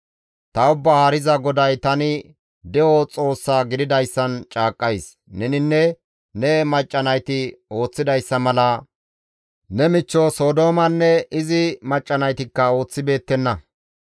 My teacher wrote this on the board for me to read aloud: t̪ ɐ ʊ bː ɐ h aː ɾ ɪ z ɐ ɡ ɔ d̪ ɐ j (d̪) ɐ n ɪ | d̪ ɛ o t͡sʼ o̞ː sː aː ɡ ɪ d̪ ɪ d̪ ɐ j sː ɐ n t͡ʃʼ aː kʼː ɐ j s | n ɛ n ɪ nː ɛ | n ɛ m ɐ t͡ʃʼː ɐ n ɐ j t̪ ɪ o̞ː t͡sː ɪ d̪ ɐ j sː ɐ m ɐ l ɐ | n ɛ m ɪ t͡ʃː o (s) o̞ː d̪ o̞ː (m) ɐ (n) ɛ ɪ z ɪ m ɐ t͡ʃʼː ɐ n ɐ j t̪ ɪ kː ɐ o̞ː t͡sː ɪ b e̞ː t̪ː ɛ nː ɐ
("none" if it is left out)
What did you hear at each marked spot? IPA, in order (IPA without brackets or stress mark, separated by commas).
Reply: t̪, s, m, nː